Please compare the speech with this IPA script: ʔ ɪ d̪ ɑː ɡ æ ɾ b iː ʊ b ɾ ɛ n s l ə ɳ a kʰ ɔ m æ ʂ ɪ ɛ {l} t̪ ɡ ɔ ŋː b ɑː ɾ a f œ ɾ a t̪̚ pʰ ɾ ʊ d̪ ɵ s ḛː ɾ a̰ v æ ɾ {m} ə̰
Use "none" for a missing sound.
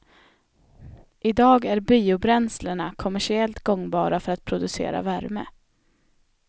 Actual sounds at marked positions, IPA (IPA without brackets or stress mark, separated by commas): l, m